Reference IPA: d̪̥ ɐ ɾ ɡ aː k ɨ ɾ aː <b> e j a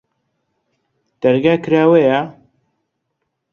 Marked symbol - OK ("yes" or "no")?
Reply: no